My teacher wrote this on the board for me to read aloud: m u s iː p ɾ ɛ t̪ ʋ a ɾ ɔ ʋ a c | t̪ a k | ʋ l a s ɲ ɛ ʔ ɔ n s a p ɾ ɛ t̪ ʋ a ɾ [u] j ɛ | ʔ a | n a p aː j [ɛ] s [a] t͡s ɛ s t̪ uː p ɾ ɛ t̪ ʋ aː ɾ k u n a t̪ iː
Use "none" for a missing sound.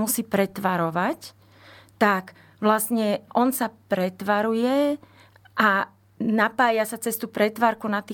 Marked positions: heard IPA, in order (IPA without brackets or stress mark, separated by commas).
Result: u, a, a